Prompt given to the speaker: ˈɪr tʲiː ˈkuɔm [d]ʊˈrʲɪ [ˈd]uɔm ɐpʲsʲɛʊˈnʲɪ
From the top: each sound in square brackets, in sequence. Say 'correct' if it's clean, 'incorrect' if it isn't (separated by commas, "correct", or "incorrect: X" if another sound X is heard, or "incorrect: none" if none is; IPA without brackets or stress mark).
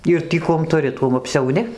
incorrect: t, incorrect: t